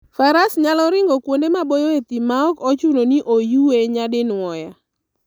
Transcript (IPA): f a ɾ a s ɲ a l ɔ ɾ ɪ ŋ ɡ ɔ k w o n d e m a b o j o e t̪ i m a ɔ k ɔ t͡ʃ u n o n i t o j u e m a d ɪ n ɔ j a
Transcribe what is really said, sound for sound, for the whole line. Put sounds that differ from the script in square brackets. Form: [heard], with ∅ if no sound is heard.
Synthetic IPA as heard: f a ɾ a s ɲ a l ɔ ɾ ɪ ŋ ɡ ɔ k w o n d e m a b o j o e t̪ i m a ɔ k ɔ t͡ʃ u n o n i [ʔ] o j u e [ɲ] a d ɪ n ɔ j a